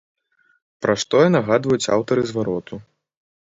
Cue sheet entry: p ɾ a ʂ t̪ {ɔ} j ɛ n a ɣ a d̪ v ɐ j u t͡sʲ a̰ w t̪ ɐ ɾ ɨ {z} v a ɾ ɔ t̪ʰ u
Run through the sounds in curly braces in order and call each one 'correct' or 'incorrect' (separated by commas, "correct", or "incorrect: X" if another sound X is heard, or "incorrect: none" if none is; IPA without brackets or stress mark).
correct, correct